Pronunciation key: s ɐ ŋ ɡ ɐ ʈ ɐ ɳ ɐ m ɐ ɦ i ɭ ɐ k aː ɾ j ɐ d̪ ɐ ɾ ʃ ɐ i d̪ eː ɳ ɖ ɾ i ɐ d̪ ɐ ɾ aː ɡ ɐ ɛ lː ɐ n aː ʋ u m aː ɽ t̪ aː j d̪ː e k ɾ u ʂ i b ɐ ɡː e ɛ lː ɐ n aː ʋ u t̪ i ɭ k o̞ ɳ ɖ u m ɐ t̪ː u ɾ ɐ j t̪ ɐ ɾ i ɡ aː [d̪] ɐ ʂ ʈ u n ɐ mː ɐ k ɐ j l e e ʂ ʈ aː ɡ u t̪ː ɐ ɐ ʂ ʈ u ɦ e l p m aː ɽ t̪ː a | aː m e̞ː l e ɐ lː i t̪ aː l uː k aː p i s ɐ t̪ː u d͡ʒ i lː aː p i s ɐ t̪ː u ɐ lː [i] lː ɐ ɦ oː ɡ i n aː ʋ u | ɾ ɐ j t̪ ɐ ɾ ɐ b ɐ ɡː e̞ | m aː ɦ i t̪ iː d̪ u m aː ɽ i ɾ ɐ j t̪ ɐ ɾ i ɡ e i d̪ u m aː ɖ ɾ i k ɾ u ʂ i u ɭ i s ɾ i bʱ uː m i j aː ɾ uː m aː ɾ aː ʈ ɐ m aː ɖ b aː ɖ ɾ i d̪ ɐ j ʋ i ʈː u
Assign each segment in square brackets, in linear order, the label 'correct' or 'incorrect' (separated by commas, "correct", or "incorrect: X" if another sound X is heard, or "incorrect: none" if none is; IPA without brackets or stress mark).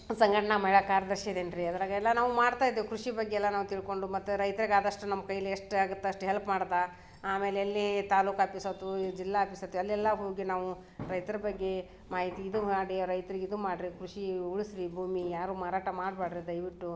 correct, incorrect: ɛ